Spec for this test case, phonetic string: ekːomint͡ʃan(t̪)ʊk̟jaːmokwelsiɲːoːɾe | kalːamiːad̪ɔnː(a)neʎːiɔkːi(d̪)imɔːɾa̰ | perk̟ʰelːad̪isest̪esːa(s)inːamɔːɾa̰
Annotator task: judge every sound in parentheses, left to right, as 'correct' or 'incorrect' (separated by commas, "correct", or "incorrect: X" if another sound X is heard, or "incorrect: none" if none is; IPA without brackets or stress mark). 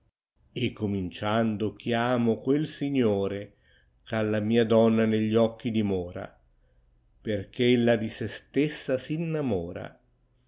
incorrect: d̪, correct, correct, correct